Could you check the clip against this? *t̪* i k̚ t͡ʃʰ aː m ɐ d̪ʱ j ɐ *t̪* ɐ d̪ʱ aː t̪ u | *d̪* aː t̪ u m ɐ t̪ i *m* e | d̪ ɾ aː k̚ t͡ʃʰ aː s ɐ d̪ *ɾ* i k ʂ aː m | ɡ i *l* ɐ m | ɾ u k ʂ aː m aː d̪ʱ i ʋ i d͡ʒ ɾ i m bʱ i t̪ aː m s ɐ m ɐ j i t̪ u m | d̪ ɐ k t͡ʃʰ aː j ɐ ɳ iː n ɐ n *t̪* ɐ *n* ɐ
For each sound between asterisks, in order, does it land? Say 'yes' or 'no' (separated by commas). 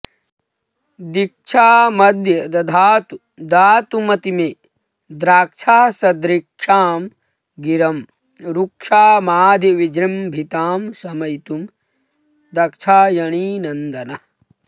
no, no, yes, yes, yes, no, no, yes